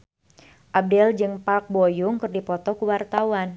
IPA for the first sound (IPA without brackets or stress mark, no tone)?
ʔ